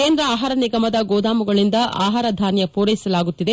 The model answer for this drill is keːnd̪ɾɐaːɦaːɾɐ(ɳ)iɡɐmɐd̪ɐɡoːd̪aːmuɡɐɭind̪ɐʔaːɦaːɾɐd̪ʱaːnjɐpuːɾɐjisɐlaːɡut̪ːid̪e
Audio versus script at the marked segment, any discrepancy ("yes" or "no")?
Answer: yes